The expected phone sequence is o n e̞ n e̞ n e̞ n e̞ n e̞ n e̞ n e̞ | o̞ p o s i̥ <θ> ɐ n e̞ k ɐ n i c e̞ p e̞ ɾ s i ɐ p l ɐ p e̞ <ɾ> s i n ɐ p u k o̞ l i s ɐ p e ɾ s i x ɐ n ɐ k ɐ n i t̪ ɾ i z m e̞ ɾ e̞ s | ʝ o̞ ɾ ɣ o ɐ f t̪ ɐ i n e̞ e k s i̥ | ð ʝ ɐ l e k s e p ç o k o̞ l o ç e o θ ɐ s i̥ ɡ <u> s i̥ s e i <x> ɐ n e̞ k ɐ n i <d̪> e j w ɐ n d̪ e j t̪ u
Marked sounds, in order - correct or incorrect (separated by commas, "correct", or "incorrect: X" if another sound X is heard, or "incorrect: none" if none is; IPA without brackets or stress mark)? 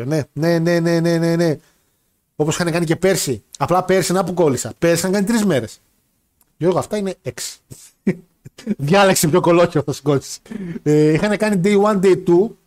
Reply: incorrect: x, correct, incorrect: o, correct, correct